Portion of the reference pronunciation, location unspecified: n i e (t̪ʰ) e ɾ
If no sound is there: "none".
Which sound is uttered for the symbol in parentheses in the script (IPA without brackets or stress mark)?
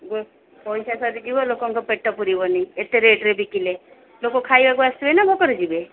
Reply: t̪